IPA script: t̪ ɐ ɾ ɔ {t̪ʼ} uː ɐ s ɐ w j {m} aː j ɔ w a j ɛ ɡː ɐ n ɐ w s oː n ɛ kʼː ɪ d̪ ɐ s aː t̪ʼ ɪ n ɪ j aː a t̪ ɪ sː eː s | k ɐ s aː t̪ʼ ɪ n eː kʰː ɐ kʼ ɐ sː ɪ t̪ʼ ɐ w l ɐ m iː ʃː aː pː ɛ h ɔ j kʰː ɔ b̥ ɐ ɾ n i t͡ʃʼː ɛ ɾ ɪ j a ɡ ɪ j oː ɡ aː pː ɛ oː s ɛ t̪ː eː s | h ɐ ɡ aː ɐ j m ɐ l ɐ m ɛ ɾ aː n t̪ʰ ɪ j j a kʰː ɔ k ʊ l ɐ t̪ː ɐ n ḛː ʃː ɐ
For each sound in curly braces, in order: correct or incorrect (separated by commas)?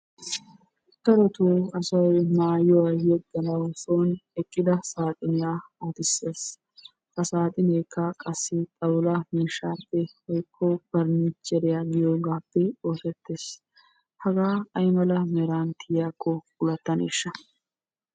incorrect, correct